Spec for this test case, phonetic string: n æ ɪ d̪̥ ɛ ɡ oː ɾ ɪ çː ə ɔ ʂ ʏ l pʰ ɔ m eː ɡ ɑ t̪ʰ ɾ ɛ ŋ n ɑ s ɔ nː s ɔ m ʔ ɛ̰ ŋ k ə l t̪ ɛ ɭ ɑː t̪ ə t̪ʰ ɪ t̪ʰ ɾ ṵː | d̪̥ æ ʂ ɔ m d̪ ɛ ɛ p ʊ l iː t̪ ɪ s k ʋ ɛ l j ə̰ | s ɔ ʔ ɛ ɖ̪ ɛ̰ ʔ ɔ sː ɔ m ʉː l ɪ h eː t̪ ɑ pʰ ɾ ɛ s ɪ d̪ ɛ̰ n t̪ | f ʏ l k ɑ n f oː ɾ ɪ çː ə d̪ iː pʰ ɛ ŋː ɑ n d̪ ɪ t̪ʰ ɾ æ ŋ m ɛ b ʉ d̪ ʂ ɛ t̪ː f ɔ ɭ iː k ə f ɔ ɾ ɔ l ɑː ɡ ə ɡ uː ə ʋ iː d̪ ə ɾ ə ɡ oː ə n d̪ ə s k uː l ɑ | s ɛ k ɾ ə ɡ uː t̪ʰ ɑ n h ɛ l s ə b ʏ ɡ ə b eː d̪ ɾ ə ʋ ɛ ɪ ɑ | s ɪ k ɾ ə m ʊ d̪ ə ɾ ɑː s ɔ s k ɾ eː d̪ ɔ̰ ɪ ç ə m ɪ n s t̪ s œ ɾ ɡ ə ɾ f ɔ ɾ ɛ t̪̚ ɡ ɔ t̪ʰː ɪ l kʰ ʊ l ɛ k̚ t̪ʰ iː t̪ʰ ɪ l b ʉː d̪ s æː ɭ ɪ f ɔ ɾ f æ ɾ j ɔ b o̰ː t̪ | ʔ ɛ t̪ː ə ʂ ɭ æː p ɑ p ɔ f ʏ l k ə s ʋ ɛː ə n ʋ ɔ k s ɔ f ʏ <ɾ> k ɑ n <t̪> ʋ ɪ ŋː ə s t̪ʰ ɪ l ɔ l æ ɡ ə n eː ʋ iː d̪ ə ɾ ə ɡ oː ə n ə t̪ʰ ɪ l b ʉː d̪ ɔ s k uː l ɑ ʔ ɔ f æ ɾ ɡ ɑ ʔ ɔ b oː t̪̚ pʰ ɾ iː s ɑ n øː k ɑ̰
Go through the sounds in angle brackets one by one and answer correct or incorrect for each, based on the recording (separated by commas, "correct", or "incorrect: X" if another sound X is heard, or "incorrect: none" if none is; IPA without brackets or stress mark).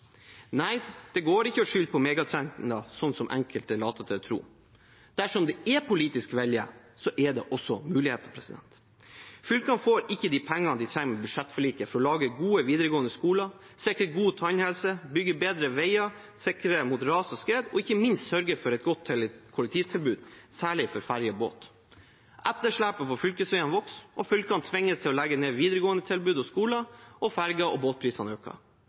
incorrect: l, incorrect: t̪ʰ